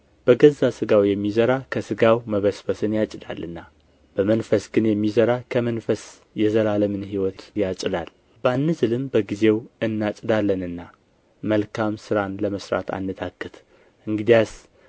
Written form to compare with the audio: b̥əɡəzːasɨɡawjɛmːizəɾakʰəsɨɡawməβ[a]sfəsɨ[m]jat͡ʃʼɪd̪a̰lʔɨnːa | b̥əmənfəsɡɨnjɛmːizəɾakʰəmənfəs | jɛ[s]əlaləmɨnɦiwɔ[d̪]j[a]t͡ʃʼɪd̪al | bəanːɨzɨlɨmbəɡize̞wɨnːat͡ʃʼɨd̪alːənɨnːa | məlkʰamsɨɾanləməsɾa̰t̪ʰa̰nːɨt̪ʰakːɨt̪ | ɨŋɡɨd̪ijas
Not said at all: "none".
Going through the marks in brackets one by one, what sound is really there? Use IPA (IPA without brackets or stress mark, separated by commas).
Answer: ə, n, z, t̪, a